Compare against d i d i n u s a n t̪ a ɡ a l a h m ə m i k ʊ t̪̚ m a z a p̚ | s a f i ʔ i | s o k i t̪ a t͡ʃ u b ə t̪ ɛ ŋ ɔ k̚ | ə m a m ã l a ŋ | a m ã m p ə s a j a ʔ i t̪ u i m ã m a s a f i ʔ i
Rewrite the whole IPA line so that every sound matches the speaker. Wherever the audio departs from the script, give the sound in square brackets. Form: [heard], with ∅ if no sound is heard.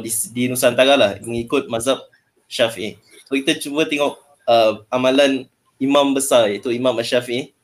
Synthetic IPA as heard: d i d i n u s a n t̪ a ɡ a l a h m ə [ŋ] i k ʊ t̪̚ m a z a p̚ | [ʃ] a f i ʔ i | s o k i t̪ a t͡ʃ u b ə t̪ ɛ ŋ ɔ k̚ | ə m a m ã l a [n] | [i] m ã m [b] ə s a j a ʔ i t̪ u i m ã m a [ʃ] a f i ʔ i